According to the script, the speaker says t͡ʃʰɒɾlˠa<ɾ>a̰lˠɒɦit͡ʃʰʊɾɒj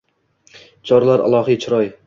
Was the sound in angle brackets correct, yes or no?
yes